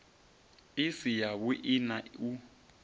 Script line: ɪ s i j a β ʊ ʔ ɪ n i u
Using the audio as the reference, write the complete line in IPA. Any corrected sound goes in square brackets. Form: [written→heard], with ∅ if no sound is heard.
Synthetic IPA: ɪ s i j a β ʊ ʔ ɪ n [i→a] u

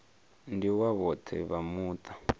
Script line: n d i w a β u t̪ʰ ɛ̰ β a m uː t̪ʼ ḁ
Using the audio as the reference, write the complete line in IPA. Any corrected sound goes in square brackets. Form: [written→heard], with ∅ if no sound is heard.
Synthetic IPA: n d i w a β [u→ɔ] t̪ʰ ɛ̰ β a m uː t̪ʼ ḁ

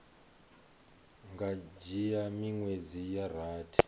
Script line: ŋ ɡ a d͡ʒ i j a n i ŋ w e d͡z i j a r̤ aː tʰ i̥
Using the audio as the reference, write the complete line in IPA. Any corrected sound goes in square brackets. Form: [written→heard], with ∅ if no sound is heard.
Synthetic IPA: ŋ ɡ a d͡ʒ i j a [n→m] i ŋ w e d͡z i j a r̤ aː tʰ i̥

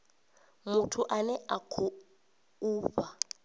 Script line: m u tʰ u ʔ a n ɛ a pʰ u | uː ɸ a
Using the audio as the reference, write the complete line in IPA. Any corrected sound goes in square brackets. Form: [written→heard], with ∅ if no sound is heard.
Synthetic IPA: m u tʰ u ʔ a n ɛ a [pʰ→kʰ] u | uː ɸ a

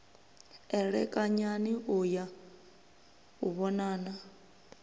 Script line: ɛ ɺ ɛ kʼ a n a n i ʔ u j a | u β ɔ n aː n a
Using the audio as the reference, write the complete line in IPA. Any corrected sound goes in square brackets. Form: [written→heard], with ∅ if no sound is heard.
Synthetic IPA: ɛ ɺ ɛ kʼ a [n→ɲ] a n i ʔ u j a | u β ɔ n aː n a

